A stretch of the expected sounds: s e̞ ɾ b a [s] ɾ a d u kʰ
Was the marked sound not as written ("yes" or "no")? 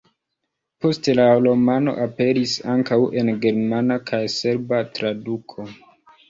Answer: yes